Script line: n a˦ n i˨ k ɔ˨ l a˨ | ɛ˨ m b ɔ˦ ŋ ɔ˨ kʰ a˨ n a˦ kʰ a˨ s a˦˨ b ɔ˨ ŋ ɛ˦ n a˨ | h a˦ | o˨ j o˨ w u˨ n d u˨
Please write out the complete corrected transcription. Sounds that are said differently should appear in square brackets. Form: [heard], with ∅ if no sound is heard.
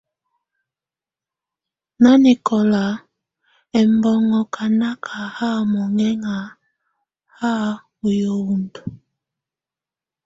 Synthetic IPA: n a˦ n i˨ k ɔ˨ l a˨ | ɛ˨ m b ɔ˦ ŋ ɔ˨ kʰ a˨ n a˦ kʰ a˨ [h] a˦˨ [m] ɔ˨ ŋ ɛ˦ [ŋ] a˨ | h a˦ | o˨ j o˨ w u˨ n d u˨